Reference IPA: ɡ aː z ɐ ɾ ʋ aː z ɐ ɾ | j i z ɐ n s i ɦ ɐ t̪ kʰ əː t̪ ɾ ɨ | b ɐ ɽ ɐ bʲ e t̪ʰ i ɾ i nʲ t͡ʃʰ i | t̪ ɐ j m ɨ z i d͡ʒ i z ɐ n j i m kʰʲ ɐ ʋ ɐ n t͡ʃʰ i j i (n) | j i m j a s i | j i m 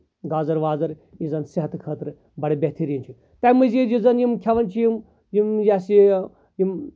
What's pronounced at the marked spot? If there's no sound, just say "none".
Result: m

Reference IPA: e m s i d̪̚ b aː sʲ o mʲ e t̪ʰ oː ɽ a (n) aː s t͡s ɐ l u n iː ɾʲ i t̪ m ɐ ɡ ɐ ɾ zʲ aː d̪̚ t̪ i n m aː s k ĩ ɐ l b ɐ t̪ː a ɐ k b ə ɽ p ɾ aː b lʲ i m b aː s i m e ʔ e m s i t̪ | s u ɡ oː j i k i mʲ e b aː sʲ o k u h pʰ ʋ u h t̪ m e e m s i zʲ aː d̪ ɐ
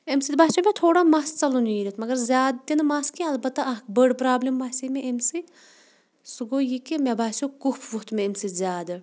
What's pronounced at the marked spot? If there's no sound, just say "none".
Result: m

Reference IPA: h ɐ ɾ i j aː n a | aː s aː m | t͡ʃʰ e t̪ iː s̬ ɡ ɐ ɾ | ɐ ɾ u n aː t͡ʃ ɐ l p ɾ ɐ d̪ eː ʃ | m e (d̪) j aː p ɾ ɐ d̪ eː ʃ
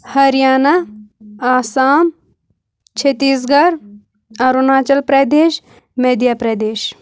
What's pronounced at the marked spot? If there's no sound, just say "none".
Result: d̪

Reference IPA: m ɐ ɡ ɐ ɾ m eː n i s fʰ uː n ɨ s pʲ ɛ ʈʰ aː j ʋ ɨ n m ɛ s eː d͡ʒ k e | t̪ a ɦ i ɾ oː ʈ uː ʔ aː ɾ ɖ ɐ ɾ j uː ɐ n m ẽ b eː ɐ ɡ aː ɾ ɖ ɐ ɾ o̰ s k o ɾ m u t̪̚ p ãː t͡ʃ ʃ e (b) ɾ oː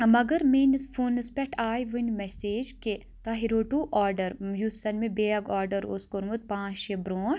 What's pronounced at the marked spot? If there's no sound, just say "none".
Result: b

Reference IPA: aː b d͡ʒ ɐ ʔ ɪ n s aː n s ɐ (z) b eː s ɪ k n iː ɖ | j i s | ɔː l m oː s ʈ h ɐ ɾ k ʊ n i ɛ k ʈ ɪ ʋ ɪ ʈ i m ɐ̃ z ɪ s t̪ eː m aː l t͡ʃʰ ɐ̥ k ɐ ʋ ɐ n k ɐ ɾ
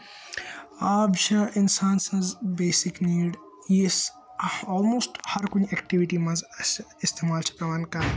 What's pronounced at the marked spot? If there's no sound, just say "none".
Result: z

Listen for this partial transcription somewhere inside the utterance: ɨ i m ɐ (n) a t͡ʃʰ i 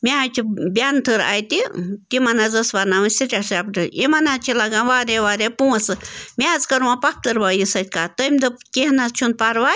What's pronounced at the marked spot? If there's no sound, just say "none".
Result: n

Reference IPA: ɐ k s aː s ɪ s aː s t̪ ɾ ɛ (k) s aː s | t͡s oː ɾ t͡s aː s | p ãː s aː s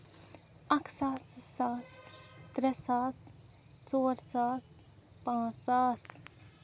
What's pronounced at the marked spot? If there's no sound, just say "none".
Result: none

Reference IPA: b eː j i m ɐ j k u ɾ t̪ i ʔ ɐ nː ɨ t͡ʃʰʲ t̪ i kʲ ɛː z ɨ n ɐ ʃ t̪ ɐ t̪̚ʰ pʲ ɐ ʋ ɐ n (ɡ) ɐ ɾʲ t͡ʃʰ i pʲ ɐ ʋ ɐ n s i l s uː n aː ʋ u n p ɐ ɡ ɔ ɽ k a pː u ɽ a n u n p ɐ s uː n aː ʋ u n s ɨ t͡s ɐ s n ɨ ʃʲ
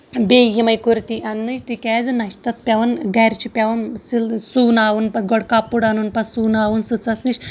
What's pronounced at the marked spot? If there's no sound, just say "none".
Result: ɡ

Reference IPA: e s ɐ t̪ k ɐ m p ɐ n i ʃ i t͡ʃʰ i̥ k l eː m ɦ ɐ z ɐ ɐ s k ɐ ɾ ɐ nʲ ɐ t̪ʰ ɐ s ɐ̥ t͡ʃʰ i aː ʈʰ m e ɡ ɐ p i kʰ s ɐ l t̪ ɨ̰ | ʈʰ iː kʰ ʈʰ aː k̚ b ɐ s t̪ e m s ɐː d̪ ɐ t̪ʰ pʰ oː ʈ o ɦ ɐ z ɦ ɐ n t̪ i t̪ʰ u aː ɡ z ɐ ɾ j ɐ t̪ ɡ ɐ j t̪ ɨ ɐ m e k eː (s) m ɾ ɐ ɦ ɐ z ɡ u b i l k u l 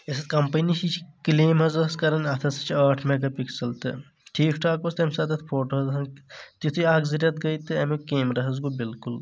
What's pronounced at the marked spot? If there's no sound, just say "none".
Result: none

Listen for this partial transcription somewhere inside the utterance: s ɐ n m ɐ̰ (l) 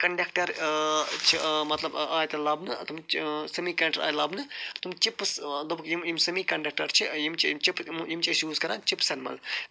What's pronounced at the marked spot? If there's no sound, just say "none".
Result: l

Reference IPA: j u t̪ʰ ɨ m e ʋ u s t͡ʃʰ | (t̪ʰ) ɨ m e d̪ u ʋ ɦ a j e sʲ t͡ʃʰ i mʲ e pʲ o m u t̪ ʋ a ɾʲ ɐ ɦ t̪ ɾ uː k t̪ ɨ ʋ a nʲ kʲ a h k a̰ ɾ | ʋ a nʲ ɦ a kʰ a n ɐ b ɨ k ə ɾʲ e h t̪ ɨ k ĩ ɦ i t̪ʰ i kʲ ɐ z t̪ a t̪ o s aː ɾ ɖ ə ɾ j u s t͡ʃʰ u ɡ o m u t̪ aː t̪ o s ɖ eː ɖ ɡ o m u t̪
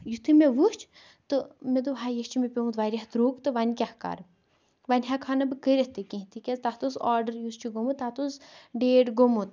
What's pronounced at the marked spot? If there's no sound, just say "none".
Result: t̪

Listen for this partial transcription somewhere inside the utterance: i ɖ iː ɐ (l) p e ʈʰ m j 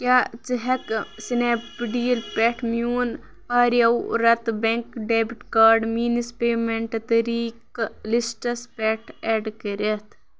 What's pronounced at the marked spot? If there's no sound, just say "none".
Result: l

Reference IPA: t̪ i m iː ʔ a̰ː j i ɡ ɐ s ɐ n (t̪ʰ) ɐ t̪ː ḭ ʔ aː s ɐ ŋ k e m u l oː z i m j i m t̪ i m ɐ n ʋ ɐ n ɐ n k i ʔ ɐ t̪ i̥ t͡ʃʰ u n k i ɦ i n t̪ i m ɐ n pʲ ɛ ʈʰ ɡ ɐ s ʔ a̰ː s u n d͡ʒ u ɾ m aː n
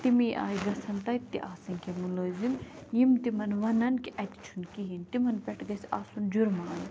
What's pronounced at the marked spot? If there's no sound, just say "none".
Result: t̪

